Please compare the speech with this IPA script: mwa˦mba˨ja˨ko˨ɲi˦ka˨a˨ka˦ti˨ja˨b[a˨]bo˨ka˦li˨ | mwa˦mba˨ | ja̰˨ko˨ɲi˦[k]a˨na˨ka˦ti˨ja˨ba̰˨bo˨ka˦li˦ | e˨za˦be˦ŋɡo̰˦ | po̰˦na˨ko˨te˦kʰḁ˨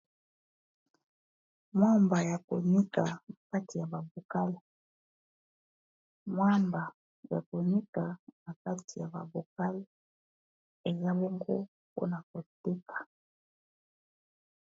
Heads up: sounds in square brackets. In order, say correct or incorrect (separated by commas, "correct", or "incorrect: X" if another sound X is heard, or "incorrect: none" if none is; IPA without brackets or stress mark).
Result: correct, correct